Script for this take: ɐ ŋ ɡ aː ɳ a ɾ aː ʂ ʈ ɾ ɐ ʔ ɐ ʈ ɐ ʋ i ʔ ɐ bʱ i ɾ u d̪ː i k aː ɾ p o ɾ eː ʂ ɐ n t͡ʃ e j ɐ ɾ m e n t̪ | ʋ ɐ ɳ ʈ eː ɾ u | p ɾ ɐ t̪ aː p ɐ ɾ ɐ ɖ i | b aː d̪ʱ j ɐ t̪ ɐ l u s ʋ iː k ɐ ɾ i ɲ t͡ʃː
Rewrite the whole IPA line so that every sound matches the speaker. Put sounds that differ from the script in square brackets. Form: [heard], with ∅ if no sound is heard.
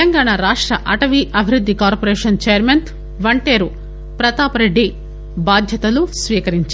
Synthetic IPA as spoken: ɐ ŋ ɡ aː ɳ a ɾ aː ʂ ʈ ɾ ɐ ʔ ɐ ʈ ɐ ʋ i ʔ ɐ bʱ i ɾ u d̪ː i k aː ɾ p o ɾ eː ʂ ɐ n t͡ʃ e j ɐ ɾ m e n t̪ | ʋ ɐ ɳ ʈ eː ɾ u | p ɾ ɐ t̪ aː p ɐ ɾ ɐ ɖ i | b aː d̪ʱ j ɐ t̪ ɐ l u s ʋ iː k ɐ ɾ i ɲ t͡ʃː

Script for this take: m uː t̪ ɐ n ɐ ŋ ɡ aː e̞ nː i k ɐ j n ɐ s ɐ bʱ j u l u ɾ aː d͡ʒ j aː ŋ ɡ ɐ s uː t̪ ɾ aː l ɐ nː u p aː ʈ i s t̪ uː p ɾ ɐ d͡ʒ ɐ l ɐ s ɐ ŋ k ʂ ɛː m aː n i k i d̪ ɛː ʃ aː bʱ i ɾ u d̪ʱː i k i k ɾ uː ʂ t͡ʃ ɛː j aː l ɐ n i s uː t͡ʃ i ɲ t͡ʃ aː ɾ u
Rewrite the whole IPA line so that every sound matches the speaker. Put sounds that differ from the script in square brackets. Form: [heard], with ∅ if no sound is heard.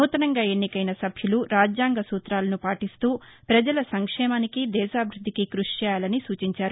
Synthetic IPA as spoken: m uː t̪ ɐ n ɐ ŋ ɡ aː e̞ nː i k ɐ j n ɐ s ɐ bʱ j u l u ɾ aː d͡ʒ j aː ŋ ɡ ɐ s uː t̪ ɾ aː l ɐ [n] u p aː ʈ i s t̪ uː p ɾ ɐ d͡ʒ ɐ l ɐ s ɐ ŋ k ʂ ɛː m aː n i k i d̪ ɛː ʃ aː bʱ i ɾ u d̪ʱː i k i k ɾ [u] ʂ t͡ʃ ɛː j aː l ɐ n i s uː t͡ʃ i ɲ t͡ʃ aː ɾ u

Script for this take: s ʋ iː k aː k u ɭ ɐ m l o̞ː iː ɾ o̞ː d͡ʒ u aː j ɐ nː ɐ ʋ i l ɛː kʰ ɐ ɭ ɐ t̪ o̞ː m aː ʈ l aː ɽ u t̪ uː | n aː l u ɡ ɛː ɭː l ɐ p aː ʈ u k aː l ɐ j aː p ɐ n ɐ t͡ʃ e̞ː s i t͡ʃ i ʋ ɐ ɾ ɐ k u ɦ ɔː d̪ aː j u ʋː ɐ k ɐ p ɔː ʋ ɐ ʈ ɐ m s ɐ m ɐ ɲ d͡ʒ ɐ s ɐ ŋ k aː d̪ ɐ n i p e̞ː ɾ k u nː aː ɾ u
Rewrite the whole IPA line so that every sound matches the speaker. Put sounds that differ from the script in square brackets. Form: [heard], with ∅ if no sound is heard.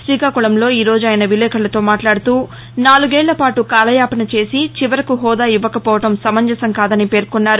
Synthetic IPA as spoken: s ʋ iː k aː k u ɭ ɐ m l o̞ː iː ɾ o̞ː d͡ʒ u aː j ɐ [n] ɐ ʋ i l ɛː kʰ ɐ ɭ ɐ t̪ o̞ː m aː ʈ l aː ɽ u t̪ uː | n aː l u ɡ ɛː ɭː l ɐ p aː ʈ u k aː l ɐ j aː p ɐ n ɐ t͡ʃ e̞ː s i t͡ʃ i ʋ ɐ ɾ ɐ k u ɦ ɔː d̪ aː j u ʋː ɐ k ɐ p ɔː ʋ ɐ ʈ ɐ m s ɐ m ɐ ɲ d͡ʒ ɐ s ɐ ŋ k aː d̪ ɐ n i p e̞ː ɾ k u nː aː ɾ u

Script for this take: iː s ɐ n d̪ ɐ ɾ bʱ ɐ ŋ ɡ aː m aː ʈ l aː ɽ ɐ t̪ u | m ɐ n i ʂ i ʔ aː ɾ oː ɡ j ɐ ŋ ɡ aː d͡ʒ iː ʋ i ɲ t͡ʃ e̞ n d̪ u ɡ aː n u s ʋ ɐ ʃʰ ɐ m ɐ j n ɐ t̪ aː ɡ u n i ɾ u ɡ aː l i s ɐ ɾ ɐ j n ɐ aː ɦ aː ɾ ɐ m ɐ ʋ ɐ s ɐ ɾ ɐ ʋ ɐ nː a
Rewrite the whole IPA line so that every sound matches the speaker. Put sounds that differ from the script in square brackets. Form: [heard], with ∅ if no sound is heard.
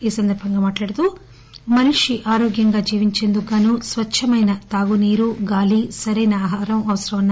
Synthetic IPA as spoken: iː s ɐ n d̪ ɐ ɾ bʱ ɐ ŋ ɡ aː m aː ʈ l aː ɽ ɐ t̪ u | m ɐ n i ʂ i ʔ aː ɾ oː ɡ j ɐ ŋ ɡ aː d͡ʒ iː ʋ i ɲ t͡ʃ e̞ n d̪ u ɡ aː n u s ʋ ɐ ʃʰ ɐ m ɐ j n ɐ t̪ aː ɡ u n [iː] ɾ u ɡ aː l i s ɐ ɾ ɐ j n ɐ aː ɦ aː ɾ ɐ m ɐ ʋ ɐ s ɐ ɾ ɐ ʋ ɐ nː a

